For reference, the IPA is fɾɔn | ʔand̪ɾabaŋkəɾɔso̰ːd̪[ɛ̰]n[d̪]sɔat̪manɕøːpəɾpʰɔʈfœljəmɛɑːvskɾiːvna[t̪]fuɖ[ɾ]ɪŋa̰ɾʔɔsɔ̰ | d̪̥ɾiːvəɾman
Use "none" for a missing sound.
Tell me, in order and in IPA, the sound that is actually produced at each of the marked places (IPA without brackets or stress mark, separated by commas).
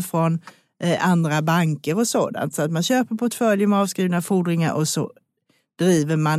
a̰, t̪, none, ɾ